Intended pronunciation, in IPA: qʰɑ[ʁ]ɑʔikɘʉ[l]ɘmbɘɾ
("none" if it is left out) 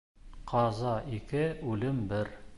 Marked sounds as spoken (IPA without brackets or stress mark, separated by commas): z, l